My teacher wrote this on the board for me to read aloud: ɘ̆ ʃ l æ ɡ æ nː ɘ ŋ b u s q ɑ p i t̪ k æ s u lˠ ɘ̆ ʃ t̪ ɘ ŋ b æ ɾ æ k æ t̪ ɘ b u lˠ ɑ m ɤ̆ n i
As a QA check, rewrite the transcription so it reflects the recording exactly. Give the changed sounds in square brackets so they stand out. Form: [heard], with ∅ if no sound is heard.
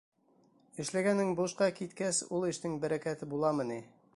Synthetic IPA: ɘ̆ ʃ l æ ɡ æ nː ɘ ŋ b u [ʃ] q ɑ [k] i t̪ k æ s u lˠ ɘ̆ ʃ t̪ ɘ ŋ b æ ɾ æ k æ t̪ ɘ b u lˠ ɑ m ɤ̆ n i